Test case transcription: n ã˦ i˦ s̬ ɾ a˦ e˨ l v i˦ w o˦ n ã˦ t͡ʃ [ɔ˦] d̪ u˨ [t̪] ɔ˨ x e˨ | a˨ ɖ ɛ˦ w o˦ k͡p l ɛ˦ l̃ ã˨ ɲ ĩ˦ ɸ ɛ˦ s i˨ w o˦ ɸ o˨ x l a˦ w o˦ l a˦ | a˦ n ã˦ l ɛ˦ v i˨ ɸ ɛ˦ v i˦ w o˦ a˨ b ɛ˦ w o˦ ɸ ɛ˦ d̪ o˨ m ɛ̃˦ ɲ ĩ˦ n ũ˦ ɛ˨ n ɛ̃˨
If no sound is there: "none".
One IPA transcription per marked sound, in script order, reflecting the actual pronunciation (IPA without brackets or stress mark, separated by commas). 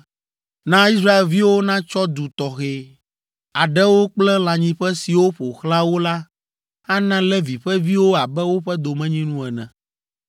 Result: ɔ˦, t̪